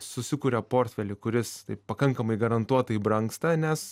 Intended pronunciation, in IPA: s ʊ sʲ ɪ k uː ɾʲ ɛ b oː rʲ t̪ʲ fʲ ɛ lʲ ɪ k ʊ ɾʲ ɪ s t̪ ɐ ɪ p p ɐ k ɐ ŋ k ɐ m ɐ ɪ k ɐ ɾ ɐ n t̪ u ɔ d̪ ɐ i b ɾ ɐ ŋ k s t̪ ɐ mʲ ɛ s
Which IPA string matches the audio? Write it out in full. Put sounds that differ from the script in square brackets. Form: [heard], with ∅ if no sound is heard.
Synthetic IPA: s ʊ sʲ ɪ k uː ɾʲ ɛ [p] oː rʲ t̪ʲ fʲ ɛ lʲ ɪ k ʊ ɾʲ ɪ s t̪ ɐ ɪ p p ɐ k ɐ ŋ k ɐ m ɐ ɪ [ɡ] ɐ ɾ ɐ n t̪ u ɔ [t̪] ɐ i b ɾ ɐ ŋ k s t̪ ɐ [nʲ] ɛ s

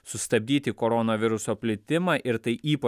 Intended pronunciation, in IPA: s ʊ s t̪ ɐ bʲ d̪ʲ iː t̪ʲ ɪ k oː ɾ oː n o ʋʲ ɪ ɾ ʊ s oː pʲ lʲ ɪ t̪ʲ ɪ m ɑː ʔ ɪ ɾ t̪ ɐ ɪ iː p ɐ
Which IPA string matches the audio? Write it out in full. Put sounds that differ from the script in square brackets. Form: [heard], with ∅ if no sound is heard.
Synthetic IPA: s ʊ s t̪ ɐ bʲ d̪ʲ iː t̪ʲ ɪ k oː ɾ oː n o ʋʲ ɪ ɾ ʊ s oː pʲ lʲ ɪ t̪ʲ ɪ m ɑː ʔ ɪ ɾ t̪ ɐ ɪ iː p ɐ

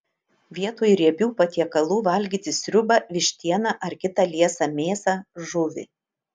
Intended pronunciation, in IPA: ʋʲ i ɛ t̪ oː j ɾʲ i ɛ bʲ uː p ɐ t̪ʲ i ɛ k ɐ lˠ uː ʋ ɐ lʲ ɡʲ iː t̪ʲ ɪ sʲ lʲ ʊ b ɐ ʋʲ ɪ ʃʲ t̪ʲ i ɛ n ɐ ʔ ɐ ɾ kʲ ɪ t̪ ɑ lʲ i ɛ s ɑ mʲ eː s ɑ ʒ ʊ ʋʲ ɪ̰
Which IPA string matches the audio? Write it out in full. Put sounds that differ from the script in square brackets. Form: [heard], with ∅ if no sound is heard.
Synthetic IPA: ʋʲ i ɛ t̪ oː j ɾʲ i ɛ bʲ uː p ɐ t̪ʲ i ɛ k ɐ lˠ uː ʋ ɐ lʲ ɡʲ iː t̪ʲ ɪ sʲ [ɾʲ] ʊ b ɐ ʋʲ ɪ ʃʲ t̪ʲ i ɛ n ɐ ʔ ɐ ɾ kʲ ɪ t̪ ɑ lʲ i ɛ s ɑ mʲ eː s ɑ ʒ ʊ ʋʲ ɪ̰

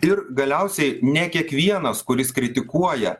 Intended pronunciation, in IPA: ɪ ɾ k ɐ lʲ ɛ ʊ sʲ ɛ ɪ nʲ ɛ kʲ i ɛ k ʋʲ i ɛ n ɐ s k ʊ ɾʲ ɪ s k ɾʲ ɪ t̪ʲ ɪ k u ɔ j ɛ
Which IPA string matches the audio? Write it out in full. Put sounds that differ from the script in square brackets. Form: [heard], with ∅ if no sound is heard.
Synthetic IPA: ɪ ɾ [ɡ] ɐ lʲ ɛ ʊ sʲ ɛ ɪ nʲ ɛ kʲ i ɛ k ʋʲ i ɛ n ɐ s k ʊ ɾʲ ɪ s k ɾʲ ɪ t̪ʲ ɪ k u ɔ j ɛ

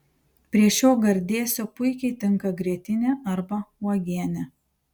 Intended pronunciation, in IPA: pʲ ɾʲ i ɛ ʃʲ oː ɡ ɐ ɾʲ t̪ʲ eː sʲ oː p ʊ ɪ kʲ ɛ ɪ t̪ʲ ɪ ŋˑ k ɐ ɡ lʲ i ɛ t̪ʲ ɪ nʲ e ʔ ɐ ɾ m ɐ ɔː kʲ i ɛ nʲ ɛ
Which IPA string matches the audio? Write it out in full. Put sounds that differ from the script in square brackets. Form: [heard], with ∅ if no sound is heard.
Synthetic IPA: pʲ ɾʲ i ɛ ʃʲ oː ɡ ɐ ɾʲ [d̪ʲ] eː sʲ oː p ʊ ɪ kʲ ɛ ɪ t̪ʲ ɪ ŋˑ k ɐ ɡ [ɾʲ] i ɛ t̪ʲ ɪ nʲ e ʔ ɐ ɾ [b] ɐ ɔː [ɡʲ] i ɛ nʲ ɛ

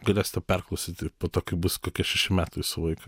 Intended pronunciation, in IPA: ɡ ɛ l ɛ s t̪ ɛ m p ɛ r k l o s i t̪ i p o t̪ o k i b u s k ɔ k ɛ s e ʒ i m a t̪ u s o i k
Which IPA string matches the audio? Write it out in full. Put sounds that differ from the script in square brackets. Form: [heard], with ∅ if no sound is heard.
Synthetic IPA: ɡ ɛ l ɛ s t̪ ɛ [∅] p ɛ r k l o s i t̪ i p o t̪ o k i b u s k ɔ k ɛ [ʃ] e [ʃ] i m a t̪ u s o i k

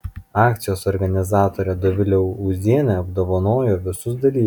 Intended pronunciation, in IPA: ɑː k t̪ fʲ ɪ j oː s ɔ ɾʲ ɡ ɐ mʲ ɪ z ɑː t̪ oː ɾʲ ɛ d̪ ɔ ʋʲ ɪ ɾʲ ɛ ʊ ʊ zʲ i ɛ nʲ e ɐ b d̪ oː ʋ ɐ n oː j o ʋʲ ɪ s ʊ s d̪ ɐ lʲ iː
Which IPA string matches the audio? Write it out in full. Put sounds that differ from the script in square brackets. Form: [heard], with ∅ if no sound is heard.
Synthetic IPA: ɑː k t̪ [sʲ] ɪ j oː s ɔ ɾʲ ɡ ɐ [nʲ] ɪ z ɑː t̪ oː ɾʲ ɛ d̪ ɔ ʋʲ ɪ [lʲ] ɛ ʊ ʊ zʲ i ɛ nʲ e ɐ b d̪ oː ʋ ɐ n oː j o ʋʲ ɪ s ʊ s d̪ ɐ lʲ iː

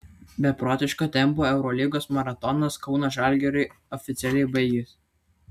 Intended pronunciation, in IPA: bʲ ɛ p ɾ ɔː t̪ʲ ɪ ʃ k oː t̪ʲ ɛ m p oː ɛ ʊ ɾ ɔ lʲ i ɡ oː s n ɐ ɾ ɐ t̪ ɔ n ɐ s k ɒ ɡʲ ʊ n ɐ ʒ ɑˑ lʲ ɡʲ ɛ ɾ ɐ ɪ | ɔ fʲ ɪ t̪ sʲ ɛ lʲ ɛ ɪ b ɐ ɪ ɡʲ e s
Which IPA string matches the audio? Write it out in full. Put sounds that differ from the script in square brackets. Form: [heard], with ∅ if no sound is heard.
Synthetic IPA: bʲ ɛ p ɾ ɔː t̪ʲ ɪ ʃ k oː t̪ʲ ɛ m p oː ɛ ʊ ɾ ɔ lʲ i ɡ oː s [m] ɐ ɾ ɐ t̪ ɔ n ɐ s k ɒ [∅] ʊ n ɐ ʒ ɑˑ lʲ ɡʲ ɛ ɾ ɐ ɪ | ɔ fʲ ɪ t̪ sʲ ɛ lʲ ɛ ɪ b ɐ ɪ ɡʲ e s

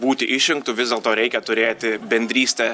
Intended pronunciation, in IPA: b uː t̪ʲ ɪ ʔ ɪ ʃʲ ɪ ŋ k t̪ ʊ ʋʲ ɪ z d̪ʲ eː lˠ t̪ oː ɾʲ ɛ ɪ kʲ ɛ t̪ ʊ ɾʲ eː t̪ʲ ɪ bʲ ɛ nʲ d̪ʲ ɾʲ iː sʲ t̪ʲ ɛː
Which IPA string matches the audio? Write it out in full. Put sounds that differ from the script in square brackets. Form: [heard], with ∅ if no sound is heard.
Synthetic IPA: b uː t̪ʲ ɪ ʔ ɪ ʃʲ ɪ ŋ k t̪ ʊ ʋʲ ɪ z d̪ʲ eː lˠ t̪ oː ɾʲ ɛ ɪ kʲ ɛ t̪ ʊ ɾʲ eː t̪ʲ ɪ bʲ ɛ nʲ d̪ʲ ɾʲ iː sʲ t̪ʲ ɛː

